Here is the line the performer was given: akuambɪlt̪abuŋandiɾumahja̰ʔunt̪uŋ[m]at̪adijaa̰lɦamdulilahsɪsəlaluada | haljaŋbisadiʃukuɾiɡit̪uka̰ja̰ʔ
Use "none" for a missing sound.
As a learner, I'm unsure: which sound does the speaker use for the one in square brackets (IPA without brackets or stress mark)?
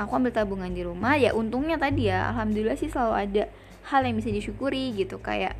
ɲ